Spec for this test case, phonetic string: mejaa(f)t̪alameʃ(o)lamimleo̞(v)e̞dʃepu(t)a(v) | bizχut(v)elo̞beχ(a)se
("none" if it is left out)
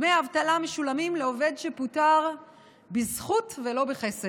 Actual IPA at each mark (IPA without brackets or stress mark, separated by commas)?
v, u, v, t, ʁ, v, e